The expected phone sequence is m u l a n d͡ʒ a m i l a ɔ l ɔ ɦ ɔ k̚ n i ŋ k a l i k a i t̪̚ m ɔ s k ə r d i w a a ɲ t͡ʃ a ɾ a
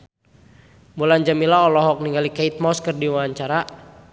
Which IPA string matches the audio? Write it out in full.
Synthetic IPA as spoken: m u l a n d͡ʒ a m i l a ɔ l ɔ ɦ ɔ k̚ n i ŋ ɡ a l i k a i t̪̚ m ɔ s k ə r d i w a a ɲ t͡ʃ a ɾ a

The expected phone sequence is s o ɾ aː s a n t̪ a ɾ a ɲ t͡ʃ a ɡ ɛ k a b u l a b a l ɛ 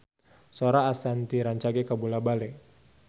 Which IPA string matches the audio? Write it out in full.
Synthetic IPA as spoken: s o ɾ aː s a n t̪ i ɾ a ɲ t͡ʃ a ɡ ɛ k a b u l a b a l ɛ

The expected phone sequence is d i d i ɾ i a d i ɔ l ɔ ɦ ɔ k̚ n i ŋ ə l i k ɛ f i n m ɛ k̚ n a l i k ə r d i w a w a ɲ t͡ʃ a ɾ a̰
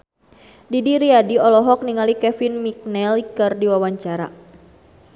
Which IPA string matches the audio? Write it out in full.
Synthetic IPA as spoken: d i d i ɾ i a d i ɔ l ɔ ɦ ɔ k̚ n i ŋ a l i k ɛ f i n m i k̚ n ɛ l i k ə r d i w a w a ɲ t͡ʃ a ɾ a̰

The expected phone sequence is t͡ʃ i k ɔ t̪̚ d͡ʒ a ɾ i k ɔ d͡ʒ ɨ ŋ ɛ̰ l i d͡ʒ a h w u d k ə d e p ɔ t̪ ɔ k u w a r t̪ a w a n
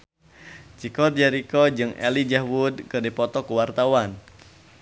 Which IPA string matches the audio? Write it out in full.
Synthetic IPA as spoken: t͡ʃ i k ɔ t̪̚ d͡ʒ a ɾ i k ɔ d͡ʒ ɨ ŋ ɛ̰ l i d͡ʒ a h w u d k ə d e p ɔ t̪ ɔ k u w a r t̪ a w a n

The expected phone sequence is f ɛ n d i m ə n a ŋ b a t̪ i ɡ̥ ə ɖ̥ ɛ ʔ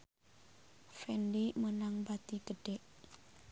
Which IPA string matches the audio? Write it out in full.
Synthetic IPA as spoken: f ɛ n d i m ə n a ŋ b a t̪ i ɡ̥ ə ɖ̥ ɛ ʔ

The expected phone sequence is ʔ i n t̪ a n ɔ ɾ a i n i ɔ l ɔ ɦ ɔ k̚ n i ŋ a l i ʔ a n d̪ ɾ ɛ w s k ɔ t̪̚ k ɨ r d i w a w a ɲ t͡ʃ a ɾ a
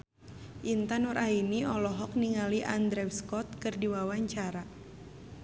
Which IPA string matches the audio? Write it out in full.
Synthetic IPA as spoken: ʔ i n t̪ a n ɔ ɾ a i n i ɔ l ɔ ɦ ɔ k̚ n i ŋ a l i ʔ a n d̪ ɾ ɛ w s k ɔ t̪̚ k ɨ r d i w a w a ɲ t͡ʃ a ɾ a

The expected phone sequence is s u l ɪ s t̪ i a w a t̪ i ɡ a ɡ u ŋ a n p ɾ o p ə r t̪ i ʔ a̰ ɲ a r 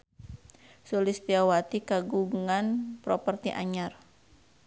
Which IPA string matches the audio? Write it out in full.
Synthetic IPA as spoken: s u l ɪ s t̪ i a w a t̪ i k a ɡ u ŋ a n p ɾ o p ə r t̪ i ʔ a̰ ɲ a r

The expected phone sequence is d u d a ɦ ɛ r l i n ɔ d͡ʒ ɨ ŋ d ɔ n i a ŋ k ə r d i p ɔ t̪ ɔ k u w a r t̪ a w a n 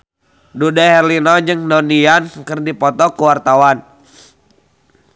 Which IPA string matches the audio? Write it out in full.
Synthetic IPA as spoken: d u d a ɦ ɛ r l i n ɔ d͡ʒ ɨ ŋ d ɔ n i a n k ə r d i p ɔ t̪ ɔ k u w a r t̪ a w a n

